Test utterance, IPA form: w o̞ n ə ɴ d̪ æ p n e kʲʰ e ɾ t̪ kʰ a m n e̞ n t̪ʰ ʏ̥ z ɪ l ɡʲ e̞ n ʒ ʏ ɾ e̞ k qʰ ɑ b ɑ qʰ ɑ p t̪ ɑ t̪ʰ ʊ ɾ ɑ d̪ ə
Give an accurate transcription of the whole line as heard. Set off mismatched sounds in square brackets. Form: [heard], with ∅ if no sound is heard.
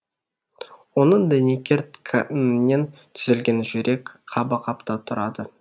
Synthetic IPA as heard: w o̞ n ə ɴ d̪ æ [∅] n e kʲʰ e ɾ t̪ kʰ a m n e̞ n t̪ʰ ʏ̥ z ɪ l ɡʲ e̞ n ʒ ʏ ɾ e̞ k qʰ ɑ b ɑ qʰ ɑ p t̪ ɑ t̪ʰ ʊ ɾ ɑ d̪ ə